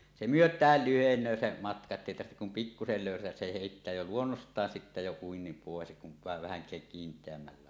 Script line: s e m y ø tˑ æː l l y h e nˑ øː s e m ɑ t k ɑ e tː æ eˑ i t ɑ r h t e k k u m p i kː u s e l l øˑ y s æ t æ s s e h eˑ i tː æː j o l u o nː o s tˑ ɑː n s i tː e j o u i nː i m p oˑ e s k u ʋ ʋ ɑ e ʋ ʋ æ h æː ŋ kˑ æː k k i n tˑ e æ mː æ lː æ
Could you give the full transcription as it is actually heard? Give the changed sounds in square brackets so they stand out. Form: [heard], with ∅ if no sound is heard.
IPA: s e m y ø tˑ æː l l y h e nˑ øː s e m ɑ t k ɑ e tː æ eˑ i t ɑ r h t e k k u m p i kː u s e l l øˑ y s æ t æ s s e h eˑ i tː æː j o l u o nː o s tˑ ɑː n s i tː [æ] j o u i nː i m p oˑ e s k u ʋ ʋ ɑ e ʋ ʋ æ h [æ] ŋ kˑ æː k k i n tˑ e æ mː æ lː æ

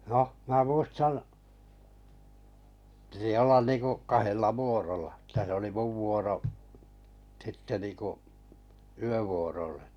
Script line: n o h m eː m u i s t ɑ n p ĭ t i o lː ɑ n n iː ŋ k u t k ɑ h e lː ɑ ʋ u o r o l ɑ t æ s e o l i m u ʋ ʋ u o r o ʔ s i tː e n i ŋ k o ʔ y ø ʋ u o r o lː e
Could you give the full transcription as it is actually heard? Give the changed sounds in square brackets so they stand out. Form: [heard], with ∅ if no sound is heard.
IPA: n o h m [æː] m u i s t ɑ n p ĭ t i o lː ɑ n n iː ŋ k u [ʔ] k ɑ h e lː ɑ ʋ u o r o l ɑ t æ s e o l i m u ʋ ʋ u o r o ʔ s i tː e n i ŋ k [u] ʔ y ø ʋ u o r o lː e

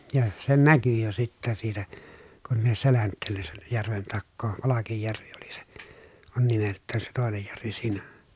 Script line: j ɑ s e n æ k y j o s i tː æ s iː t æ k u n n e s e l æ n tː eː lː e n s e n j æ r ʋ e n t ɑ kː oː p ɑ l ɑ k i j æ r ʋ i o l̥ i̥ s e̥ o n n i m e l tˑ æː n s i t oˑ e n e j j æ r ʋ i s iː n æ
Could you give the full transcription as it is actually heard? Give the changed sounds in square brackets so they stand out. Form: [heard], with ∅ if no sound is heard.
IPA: j ɑ s e n æ k y j o s i tː æ s iː t æ k u n n e s e l æ n tː eː lː e n s e n j æ r ʋ e n t ɑ kː oː p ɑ l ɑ k i [jː] æ r ʋ i o l̥ i̥ s e̥ o n n i m e l tˑ æː n s [e] t oˑ e n e j j æ r ʋ i s iː n æ

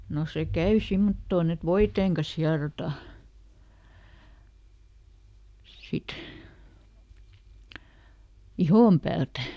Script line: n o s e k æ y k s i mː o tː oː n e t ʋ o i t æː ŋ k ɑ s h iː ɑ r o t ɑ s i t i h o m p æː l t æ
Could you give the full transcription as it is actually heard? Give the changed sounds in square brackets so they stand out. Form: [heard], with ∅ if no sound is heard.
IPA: n o s e k æ y [∅] s i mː o tː oː n e t ʋ o i t [eː] ŋ k ɑ s h [i] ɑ r o t ɑ s i t i h o m p æː l t æ

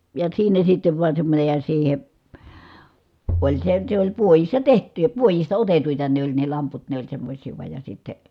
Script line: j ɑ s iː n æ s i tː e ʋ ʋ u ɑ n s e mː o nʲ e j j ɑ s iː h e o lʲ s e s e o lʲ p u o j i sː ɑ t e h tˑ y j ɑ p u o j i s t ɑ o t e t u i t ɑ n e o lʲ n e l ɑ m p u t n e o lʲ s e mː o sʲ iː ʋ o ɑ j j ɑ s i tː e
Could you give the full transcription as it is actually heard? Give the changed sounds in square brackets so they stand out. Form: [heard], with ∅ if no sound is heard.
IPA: j ɑ s iː n æ s i tː e ʋ ʋ u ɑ n s e mː o nʲ e j j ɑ s iː h e o lʲ s e s e o lʲ p u o j i sː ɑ t e h tˑ y j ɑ p u o j i s t ɑ o t e t u i t ɑ n e o lʲ n e l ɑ m p u t n e o lʲ s e mː o sʲ iː ʋ [u] ɑ j j ɑ s i tː e

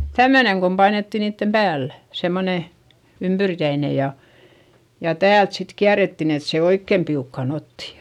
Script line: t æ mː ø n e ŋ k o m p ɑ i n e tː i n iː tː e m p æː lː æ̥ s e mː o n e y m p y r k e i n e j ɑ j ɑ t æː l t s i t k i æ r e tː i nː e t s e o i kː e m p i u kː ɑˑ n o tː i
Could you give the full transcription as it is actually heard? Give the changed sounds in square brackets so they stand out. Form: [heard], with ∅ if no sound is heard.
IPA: t æ mː ø n e ŋ k o m p ɑ i n e tː i n iː tː e m p æː lː æ̥ s e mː o n e y m p y r k [æ] i n e j ɑ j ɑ t æː l t s i t k i æ r e tː i [n] e t s e o i kː e m p i u kː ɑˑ n o tː i

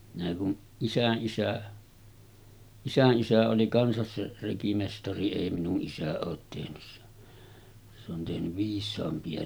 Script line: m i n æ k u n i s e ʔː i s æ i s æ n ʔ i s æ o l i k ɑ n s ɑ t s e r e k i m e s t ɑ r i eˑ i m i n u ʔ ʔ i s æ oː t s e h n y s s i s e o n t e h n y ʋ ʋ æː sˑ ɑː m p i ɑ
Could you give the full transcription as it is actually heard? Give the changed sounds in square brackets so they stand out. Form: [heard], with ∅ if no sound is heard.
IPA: m i n æ k u n i s [æ] ʔː i s æ i s æ n ʔ i s æ o l i k ɑ n s ɑ [s] s e r e k i m e s t ɑ r i eˑ i m i n u ʔ ʔ i s æ oː t [t] e h n y s s [e] s e o n t e h n y ʋ ʋ [iː] sˑ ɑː m p i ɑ

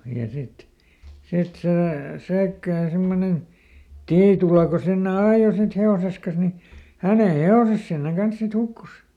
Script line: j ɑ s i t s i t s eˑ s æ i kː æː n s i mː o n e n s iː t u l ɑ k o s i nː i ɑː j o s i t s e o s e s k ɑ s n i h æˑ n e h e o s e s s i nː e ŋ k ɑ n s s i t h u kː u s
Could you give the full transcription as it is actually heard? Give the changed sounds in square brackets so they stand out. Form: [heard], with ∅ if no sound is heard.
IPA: j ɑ s i t s i t s eˑ s æ i kː æː n s i mː o n e n [t] iː t u l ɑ k o s i nː [e] ɑː j o s i t [h] e o s e s k ɑ s n i h æˑ n e h e o s e s s i nː e ŋ k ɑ n s s i t h u kː u s

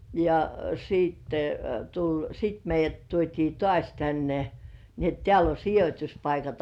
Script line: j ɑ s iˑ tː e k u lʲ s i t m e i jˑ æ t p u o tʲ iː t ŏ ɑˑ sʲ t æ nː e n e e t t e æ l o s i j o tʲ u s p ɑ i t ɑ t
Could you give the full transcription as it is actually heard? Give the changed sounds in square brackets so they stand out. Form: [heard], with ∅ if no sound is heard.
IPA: j ɑ s iˑ tː e [t] u lʲ s i t m e i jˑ æ t [t] u o tʲ iː t ŏ ɑˑ sʲ t æ nː e n [i] e t t e æ l o s i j o tʲ u s p ɑ i [k] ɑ t

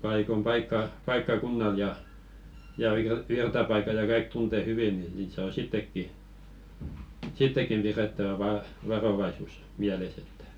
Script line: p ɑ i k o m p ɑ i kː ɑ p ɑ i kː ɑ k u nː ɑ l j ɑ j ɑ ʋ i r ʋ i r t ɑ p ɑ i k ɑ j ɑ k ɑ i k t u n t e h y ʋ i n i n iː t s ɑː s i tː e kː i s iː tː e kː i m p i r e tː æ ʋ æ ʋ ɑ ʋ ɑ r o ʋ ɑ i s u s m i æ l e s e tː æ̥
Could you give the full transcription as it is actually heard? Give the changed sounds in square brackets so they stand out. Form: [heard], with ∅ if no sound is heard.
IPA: p ɑ i k o m p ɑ i kː ɑ p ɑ i kː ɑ k u nː ɑ l j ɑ j ɑ ʋ i r ʋ i r t ɑ p ɑ i k ɑ j ɑ k ɑ i k t u n t e h y ʋ i n i n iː t s ɑː s i tː e kː i s [i] tː e kː i m p i r e tː æ ʋ æ ʋ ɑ ʋ ɑ r o ʋ ɑ i s u s m i æ l e s e tː æ̥

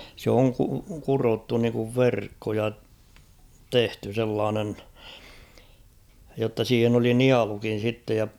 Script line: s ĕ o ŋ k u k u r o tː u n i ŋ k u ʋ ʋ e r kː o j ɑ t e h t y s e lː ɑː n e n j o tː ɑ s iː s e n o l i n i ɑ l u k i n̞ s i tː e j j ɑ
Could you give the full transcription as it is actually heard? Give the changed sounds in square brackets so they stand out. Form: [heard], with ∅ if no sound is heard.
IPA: s ĕ o ŋ k u k u r o tː u n i ŋ k u ʋ ʋ e r kː o j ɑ t e h t y s e lː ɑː n e n j o tː ɑ s iː [h] e n o l i n i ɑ l u k i n̞ s i tː e j j ɑ

